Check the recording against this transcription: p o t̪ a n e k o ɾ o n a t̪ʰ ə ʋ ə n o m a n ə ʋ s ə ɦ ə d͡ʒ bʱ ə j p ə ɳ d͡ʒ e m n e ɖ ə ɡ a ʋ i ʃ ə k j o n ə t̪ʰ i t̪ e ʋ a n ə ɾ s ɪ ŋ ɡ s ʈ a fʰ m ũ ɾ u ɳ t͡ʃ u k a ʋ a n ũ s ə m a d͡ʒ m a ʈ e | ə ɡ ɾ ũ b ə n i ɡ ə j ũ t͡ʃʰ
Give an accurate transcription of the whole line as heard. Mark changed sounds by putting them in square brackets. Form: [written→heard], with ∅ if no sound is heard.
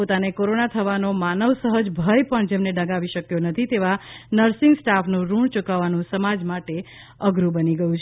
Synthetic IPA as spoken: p o t̪ a n e k o ɾ o n a t̪ʰ ə ʋ [ə→a] n o m a n ə ʋ s ə ɦ ə d͡ʒ bʱ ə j p ə ɳ d͡ʒ e m n e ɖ ə ɡ a ʋ i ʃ ə k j o n ə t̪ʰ i t̪ e ʋ a n ə ɾ s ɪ ŋ ɡ s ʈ a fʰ [m→n] ũ ɾ u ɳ t͡ʃ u k a ʋ a n ũ s ə m a d͡ʒ m a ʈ e | ə ɡ ɾ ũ b ə n i ɡ ə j ũ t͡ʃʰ